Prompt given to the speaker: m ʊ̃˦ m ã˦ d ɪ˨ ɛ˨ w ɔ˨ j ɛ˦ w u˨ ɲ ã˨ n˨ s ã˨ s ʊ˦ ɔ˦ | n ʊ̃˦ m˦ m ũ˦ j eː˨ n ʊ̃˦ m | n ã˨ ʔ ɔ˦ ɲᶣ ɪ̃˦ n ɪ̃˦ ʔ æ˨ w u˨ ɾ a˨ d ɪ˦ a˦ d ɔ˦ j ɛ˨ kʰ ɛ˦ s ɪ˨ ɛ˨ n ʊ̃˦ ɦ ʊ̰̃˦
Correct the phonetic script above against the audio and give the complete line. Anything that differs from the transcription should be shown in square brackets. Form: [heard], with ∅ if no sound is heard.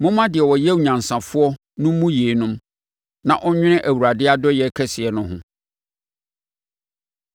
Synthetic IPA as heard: m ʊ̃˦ m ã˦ d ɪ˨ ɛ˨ w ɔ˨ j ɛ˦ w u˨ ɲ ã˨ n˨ s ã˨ [f] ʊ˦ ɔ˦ | n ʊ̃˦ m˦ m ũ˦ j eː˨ n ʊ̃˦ m | n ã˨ ʔ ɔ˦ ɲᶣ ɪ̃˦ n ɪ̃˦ ʔ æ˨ w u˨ ɾ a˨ d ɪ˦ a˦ d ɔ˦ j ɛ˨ kʰ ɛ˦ s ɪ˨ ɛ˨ n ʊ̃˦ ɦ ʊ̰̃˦